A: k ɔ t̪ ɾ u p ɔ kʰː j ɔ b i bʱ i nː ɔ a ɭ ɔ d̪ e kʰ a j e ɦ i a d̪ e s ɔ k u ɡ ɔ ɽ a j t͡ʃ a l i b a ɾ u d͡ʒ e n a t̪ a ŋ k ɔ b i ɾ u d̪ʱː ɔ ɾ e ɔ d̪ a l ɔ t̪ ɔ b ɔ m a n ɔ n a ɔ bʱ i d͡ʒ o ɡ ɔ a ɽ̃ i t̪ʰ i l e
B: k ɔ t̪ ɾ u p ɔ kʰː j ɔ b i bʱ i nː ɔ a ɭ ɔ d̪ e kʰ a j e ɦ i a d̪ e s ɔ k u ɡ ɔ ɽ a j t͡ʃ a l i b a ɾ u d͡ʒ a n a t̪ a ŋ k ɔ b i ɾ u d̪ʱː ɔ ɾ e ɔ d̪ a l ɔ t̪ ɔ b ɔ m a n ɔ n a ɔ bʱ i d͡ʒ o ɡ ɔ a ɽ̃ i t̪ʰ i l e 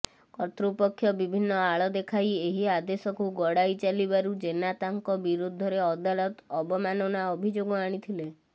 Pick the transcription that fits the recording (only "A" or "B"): A